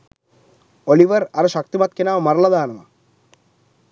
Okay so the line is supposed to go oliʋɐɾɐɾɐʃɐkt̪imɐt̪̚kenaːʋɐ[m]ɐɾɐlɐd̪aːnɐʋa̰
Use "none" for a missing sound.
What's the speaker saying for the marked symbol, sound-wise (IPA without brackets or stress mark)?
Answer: m